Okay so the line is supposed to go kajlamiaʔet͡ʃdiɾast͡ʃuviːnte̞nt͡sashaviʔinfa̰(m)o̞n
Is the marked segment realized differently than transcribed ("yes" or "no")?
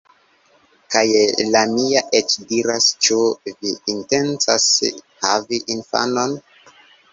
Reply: yes